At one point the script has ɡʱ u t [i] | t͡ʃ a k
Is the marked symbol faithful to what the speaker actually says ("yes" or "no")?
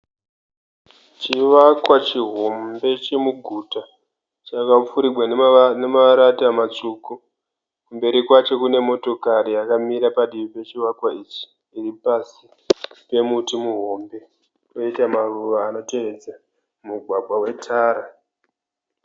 no